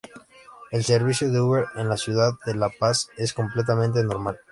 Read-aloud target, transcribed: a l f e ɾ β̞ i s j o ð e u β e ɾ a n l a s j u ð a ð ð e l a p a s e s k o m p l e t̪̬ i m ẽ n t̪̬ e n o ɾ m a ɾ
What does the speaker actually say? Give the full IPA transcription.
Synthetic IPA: e l s e ɾ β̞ i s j o ð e u β e ɾ e n l a s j u ð a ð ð e l a p a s e s k o m p l e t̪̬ a m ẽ n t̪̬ e n o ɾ m a l